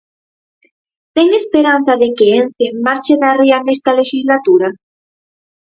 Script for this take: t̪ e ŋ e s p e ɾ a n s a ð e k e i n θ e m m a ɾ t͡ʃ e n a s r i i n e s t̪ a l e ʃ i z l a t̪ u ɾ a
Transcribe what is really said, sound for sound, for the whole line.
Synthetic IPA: t̪ e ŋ e s p e ɾ a n θ a ð e k e e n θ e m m a ɾ t͡ʃ e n a r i a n e s t̪ a l e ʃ i z l a t̪ u ɾ a